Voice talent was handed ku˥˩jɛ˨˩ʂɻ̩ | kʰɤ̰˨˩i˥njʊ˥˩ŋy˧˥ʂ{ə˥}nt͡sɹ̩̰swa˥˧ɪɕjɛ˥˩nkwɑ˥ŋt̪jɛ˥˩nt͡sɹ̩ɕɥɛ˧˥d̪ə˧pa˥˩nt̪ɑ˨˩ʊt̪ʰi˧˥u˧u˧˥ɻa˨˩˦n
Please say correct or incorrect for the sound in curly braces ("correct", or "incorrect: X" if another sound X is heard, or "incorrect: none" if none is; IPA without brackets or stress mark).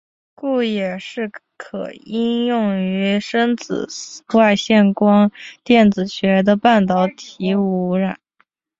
correct